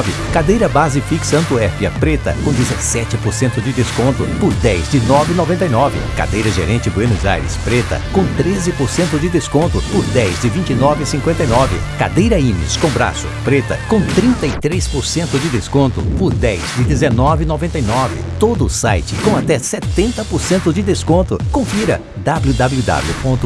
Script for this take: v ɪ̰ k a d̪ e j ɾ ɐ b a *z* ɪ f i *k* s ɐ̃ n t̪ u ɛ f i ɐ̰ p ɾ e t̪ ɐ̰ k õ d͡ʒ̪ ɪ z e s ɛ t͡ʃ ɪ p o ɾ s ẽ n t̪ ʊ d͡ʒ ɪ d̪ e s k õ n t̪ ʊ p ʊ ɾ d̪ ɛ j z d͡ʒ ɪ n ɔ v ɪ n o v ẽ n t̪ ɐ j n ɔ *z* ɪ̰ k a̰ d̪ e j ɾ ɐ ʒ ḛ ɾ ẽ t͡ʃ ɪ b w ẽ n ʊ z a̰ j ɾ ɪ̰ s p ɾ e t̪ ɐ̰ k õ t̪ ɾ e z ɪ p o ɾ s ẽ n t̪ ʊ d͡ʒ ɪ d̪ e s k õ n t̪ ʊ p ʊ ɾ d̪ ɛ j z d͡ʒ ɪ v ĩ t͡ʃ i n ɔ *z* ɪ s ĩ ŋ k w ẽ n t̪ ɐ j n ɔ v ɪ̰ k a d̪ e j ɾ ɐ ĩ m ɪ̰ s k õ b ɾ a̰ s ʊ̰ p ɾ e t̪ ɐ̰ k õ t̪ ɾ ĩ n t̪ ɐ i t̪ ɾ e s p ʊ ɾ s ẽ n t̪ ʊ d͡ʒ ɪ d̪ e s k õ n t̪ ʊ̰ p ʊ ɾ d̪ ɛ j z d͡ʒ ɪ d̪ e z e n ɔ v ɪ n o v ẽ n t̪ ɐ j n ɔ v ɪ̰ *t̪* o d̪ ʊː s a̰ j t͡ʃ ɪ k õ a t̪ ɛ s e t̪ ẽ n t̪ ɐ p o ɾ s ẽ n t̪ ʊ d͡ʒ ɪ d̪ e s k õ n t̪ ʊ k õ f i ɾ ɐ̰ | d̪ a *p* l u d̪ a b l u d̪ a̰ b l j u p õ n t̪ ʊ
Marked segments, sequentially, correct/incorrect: correct, correct, incorrect, incorrect, correct, incorrect

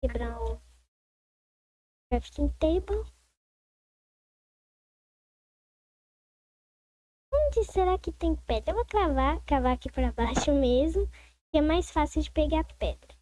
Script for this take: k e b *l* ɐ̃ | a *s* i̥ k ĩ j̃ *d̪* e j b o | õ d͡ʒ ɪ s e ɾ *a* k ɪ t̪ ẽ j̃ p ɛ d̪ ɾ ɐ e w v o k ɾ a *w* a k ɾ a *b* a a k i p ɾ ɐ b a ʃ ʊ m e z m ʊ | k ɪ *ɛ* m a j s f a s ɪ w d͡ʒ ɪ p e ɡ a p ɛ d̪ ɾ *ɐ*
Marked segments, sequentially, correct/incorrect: incorrect, incorrect, incorrect, correct, incorrect, incorrect, correct, correct

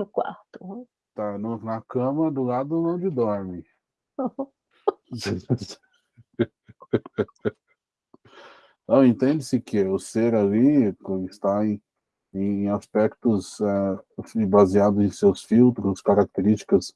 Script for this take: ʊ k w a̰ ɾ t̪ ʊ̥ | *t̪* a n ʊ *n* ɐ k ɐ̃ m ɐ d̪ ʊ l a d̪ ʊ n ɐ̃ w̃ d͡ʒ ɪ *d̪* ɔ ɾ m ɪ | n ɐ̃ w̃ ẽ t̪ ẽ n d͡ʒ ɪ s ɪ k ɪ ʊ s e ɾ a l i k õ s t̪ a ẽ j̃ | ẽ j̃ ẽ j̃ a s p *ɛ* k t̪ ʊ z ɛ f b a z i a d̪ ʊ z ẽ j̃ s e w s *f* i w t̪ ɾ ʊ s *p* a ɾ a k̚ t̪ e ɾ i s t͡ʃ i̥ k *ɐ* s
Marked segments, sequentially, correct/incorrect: correct, correct, correct, correct, correct, incorrect, correct

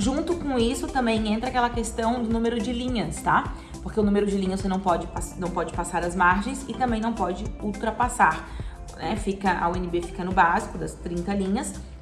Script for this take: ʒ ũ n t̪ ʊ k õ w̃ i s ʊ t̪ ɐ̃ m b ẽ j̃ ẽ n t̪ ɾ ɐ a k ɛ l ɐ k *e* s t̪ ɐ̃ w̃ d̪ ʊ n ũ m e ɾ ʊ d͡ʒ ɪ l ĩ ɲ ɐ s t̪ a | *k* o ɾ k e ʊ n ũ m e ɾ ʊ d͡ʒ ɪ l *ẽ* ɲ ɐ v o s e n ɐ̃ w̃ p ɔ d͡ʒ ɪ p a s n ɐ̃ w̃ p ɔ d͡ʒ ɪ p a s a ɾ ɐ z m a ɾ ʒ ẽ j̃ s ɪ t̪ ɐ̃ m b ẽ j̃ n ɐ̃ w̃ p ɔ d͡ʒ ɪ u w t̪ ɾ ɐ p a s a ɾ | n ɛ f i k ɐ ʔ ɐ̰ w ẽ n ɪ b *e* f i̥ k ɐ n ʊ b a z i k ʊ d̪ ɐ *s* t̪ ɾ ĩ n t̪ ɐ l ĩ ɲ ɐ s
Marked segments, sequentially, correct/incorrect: correct, incorrect, incorrect, correct, correct

